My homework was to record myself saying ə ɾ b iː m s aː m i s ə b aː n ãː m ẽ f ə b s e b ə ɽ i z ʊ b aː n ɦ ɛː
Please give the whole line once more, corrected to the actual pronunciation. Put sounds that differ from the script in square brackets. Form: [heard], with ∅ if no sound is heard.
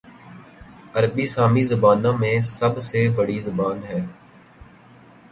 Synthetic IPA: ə ɾ b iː [∅] s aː m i [z] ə b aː n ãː m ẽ [s] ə b s e b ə ɽ i z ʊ b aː n ɦ ɛː